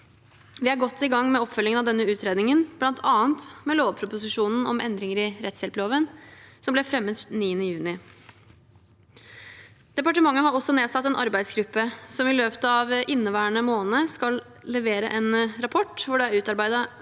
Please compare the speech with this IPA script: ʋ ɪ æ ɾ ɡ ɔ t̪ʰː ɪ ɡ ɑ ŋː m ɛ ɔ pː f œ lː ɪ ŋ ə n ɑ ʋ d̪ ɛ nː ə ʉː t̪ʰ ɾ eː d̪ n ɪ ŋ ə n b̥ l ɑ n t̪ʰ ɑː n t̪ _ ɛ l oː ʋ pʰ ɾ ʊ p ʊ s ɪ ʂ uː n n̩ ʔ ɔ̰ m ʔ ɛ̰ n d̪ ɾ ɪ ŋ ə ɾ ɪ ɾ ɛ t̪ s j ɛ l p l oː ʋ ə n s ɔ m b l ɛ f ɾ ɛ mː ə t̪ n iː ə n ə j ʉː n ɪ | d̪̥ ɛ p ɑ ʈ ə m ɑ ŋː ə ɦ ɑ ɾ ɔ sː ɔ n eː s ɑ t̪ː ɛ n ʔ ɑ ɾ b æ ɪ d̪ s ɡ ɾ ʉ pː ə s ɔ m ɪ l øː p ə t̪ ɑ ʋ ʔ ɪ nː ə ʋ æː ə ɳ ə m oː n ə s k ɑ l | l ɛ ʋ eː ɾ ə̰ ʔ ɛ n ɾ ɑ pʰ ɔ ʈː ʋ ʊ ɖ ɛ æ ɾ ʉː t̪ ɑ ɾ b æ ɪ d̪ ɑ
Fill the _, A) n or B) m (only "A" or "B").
B